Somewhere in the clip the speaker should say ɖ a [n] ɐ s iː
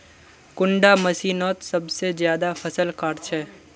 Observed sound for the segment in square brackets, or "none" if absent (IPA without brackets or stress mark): m